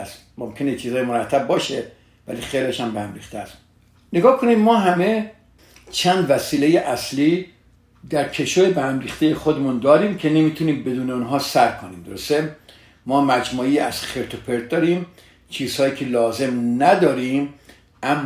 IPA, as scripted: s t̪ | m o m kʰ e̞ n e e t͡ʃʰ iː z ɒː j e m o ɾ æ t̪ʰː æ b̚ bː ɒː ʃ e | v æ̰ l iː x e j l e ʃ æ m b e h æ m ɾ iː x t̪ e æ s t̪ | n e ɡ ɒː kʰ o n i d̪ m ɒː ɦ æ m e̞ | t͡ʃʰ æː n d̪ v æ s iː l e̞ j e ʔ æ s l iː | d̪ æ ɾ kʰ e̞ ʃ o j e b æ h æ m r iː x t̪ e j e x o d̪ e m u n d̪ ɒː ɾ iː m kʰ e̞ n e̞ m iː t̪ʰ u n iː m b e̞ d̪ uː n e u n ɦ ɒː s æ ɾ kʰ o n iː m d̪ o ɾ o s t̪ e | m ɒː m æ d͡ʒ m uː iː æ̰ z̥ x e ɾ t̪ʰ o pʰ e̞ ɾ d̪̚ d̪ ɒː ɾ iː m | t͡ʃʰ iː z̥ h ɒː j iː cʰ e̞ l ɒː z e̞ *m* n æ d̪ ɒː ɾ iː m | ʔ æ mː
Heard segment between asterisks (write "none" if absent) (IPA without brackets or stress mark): m